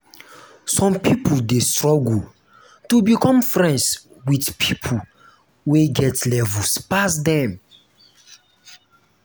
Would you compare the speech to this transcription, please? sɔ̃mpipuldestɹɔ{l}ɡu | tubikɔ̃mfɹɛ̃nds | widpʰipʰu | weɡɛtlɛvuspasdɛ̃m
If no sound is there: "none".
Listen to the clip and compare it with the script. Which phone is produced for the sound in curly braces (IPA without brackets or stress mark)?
none